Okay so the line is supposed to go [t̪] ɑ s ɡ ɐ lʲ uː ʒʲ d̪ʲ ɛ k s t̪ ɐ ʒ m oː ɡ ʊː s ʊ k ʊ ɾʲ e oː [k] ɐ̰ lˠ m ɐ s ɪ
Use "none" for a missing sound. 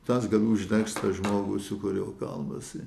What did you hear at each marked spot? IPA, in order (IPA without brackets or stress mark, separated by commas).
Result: t̪, k